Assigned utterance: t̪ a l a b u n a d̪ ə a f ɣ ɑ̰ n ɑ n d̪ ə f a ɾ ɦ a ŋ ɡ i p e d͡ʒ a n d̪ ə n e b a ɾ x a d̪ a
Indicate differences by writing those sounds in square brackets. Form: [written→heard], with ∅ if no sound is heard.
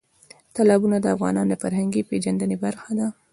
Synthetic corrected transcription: t̪ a l [a→ɑ] b u n a d̪ ə a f ɣ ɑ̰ n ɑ n d̪ ə f a ɾ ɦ a ŋ ɡ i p e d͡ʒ a n d̪ ə n e b a ɾ x a d̪ a